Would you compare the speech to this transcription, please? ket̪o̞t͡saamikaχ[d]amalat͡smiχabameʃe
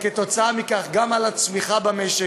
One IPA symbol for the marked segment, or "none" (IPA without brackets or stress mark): ɡ